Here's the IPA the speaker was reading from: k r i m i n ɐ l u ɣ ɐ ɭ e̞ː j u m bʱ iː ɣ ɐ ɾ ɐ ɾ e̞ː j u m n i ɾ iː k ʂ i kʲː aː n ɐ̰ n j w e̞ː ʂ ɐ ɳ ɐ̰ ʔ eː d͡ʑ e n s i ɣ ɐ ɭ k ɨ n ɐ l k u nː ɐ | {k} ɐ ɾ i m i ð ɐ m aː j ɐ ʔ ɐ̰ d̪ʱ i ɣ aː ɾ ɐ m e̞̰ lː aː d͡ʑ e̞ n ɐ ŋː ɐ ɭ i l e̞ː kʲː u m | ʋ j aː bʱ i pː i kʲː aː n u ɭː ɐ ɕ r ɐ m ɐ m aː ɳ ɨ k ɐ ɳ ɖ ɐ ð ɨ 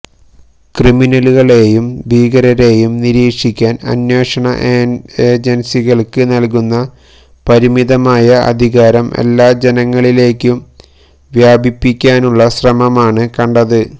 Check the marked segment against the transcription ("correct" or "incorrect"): incorrect